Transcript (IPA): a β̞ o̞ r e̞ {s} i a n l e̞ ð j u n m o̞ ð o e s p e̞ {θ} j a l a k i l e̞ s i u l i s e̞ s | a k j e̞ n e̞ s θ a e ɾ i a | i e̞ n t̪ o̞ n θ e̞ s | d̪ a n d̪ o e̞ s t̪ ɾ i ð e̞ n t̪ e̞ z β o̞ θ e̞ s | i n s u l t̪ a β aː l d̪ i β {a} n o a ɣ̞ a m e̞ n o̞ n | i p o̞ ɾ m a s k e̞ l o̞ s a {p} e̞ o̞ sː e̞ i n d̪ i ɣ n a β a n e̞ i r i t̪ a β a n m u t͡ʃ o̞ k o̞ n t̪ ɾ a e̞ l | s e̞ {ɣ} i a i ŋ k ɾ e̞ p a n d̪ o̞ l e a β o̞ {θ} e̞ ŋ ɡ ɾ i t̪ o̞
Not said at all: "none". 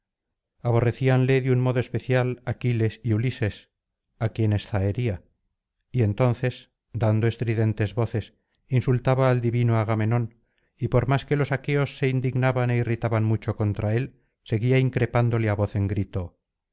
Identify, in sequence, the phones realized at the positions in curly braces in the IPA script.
θ, θ, i, k, ɣ, θ

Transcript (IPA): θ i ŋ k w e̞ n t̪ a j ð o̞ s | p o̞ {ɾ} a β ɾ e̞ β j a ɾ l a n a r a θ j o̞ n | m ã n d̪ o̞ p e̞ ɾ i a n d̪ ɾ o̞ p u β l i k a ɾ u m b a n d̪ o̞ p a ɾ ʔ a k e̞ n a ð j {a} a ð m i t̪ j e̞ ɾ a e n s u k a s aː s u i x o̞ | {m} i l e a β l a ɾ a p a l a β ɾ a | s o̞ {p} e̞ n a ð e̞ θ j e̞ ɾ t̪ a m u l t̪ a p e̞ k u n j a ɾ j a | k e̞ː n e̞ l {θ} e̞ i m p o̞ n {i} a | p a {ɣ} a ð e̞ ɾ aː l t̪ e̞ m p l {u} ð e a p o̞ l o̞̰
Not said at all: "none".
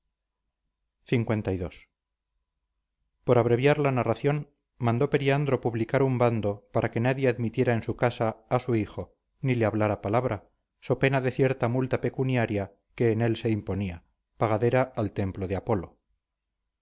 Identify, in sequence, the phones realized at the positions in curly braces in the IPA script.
ɾ, e, n, p, s, i, ɣ, o

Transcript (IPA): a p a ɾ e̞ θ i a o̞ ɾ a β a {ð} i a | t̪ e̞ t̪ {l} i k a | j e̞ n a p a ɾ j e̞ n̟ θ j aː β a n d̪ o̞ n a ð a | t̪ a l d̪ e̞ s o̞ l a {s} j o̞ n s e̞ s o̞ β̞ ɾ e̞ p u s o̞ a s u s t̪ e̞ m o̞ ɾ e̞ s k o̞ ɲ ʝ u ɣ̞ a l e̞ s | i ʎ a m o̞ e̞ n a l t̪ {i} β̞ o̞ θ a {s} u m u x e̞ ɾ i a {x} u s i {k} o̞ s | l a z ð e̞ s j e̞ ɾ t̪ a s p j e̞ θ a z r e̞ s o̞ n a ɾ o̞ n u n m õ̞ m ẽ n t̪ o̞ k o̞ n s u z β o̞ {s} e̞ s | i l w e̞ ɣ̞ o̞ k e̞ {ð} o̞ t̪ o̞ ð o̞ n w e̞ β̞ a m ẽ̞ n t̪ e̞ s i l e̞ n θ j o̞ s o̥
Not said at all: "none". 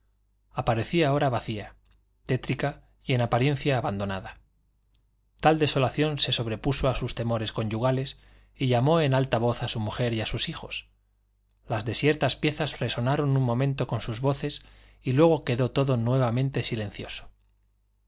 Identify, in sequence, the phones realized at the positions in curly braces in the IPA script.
θ, ɾ, θ, a, s, s, x, θ, ð

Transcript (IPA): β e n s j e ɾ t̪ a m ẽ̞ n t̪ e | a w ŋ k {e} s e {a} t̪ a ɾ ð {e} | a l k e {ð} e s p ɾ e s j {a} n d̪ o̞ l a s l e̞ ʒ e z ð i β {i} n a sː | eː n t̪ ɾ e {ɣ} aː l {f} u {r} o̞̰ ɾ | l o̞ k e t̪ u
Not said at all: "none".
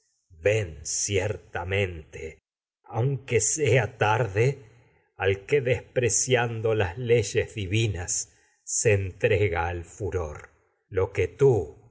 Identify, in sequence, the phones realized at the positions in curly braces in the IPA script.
e, a, e, ð, a, i, ɣ, f, ɾ

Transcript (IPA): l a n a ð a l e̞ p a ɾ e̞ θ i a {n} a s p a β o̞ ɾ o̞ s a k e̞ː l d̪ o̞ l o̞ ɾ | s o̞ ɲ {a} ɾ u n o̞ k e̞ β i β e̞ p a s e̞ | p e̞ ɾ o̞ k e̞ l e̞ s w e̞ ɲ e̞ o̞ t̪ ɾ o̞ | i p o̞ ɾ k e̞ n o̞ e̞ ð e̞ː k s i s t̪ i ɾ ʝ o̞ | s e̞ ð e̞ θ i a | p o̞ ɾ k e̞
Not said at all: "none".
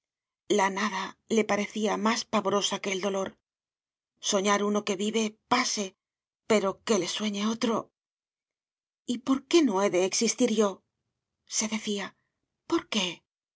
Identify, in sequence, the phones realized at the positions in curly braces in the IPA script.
m, a

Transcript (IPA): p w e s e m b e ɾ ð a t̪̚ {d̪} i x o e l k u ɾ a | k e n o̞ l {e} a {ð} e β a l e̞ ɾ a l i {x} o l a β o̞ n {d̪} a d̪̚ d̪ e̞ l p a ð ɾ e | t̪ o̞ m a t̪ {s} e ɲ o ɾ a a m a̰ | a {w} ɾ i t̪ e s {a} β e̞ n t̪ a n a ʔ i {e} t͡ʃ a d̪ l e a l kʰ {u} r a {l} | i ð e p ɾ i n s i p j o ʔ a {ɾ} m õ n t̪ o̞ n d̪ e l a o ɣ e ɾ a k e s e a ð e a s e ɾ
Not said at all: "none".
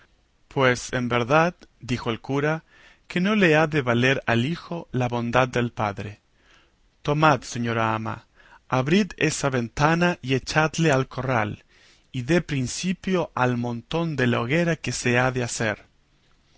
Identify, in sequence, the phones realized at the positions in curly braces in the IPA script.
d̪, e, ð, x, d̪, s, β, a, e, o, l, l

